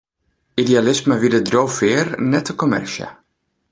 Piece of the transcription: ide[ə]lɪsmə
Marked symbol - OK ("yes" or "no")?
no